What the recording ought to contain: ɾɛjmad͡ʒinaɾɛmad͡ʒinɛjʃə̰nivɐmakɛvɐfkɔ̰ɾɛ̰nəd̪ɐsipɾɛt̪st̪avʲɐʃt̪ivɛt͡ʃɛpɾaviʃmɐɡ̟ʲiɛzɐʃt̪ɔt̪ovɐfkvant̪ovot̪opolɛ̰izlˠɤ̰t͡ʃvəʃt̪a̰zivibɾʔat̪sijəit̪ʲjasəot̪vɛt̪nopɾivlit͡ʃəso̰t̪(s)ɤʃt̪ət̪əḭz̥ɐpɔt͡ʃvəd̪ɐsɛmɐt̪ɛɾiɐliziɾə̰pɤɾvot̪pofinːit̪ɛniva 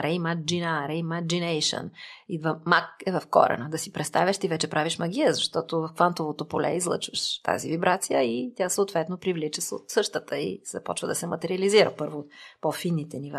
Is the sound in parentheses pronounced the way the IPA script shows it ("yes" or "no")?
yes